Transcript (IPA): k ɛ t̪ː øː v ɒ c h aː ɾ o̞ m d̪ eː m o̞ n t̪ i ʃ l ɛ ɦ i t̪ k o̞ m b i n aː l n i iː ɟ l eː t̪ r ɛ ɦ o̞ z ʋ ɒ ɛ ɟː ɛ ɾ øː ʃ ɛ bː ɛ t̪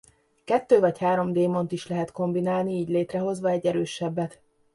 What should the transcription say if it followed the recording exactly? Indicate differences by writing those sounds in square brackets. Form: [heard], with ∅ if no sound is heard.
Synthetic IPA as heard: k ɛ t̪ː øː v ɒ c h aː ɾ o̞ m d̪ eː m o̞ n t̪ i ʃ l ɛ ɦ [ɛ] t̪ k o̞ m b i n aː l n i iː ɟ l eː t̪ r ɛ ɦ o̞ z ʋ ɒ ɛ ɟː ɛ ɾ øː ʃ ɛ bː ɛ t̪